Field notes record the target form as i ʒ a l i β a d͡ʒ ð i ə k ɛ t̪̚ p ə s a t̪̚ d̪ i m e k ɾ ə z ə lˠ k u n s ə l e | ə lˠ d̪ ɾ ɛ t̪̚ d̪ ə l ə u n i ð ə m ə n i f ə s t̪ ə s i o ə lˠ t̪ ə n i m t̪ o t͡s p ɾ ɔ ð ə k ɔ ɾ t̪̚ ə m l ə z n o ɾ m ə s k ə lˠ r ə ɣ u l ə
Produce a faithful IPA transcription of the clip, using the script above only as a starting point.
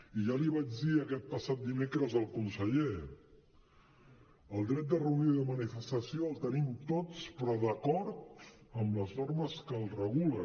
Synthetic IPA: i ʒ a l i β a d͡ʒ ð i ə k ɛ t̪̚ p ə s a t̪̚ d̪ i m e k ɾ ə z ə lˠ k u n s ə ʎ e | ə lˠ d̪ ɾ ɛ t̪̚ d̪ ə r ə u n i ð ə m ə n i f ə s t̪ ə s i o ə lˠ t̪ ə n i m t̪ o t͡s p ɾ ɔ ð ə k ɔ ɾ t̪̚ ə m l ə z n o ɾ m ə s k ə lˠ r ə ɣ u l ə